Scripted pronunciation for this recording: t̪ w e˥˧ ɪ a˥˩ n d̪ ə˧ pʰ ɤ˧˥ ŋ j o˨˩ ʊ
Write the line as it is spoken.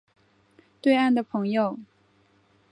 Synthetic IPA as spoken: t̪ w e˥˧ ɪ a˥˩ n d̪ ə˩ pʰ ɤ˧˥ ŋ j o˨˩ ʊ